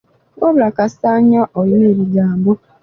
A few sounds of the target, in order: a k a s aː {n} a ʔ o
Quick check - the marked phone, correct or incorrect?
incorrect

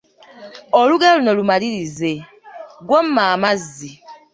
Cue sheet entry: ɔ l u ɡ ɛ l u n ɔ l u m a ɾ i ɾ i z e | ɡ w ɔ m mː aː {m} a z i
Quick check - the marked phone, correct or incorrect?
correct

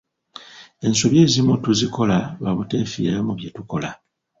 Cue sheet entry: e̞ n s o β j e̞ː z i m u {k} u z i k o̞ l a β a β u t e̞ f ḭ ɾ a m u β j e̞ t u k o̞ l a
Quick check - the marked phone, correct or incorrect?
incorrect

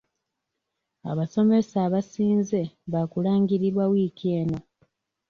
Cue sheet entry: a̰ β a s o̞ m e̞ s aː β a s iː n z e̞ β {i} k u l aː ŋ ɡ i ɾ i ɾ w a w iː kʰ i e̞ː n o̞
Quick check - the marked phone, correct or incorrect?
incorrect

